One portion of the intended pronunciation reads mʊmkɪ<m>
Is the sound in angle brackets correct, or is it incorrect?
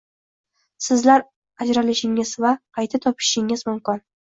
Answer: incorrect: n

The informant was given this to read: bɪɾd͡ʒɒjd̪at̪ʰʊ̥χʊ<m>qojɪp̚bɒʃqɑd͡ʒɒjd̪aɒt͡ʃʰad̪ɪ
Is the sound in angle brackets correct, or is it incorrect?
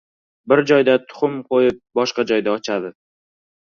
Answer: correct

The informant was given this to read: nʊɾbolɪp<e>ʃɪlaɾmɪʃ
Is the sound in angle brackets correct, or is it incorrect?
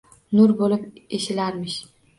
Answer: correct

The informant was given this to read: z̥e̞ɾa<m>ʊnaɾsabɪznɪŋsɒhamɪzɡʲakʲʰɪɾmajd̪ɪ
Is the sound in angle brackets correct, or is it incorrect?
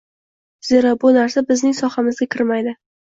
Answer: incorrect: b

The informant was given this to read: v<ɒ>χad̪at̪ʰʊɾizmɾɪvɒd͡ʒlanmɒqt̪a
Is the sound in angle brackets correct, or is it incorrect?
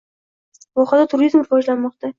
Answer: correct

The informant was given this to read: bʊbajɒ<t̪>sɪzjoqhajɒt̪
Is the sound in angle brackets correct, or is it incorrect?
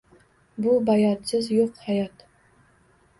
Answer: correct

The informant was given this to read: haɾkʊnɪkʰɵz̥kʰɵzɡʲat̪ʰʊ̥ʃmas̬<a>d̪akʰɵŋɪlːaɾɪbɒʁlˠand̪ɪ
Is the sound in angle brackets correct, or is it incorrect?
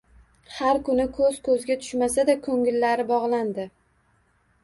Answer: correct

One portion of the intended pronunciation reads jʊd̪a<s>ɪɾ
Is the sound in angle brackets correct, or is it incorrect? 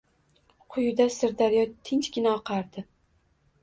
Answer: correct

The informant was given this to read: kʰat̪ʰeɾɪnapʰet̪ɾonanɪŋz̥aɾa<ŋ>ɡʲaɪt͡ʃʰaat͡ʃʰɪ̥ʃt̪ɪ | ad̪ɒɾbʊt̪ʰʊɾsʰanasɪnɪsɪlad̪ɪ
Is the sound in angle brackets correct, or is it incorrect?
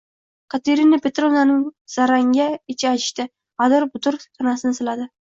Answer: correct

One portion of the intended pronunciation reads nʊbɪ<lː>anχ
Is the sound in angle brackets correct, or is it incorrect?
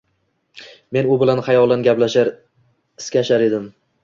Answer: incorrect: l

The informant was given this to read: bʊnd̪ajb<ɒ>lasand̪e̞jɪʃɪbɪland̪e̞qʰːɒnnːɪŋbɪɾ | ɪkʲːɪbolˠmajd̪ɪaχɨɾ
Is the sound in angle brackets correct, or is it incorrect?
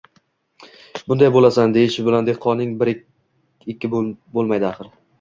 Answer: incorrect: o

